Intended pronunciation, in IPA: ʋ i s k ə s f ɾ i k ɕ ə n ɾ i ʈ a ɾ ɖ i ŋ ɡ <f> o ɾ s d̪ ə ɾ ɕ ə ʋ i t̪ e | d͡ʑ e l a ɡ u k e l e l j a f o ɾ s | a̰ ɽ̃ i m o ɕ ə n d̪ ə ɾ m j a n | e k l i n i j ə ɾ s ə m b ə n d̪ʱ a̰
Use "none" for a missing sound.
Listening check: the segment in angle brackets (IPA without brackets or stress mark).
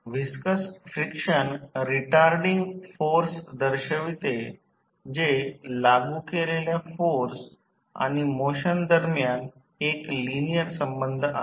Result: f